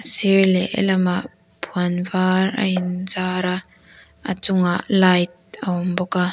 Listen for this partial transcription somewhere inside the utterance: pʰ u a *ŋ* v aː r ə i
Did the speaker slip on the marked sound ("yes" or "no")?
yes